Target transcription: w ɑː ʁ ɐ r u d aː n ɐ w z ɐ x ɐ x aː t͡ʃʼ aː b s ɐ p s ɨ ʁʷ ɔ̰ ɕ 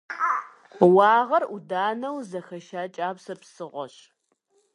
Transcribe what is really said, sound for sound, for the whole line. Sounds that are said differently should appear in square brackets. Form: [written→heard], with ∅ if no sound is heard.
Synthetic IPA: w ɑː ʁ ɐ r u d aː n ɐ w z ɐ x ɐ [x→ʃ] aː t͡ʃʼ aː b s ɐ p s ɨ ʁʷ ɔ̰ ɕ